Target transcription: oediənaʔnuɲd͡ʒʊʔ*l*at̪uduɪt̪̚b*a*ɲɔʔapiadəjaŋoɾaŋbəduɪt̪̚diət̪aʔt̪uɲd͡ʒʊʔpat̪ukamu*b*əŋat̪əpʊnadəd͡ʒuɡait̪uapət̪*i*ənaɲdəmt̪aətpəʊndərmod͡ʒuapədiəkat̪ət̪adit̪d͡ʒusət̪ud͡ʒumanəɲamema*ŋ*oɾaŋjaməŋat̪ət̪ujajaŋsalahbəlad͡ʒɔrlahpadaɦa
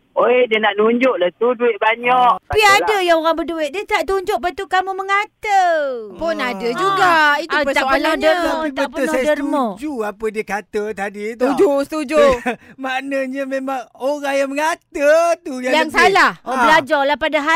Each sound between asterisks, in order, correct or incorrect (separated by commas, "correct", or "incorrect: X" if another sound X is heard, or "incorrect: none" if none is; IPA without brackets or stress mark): correct, correct, incorrect: m, incorrect: a, correct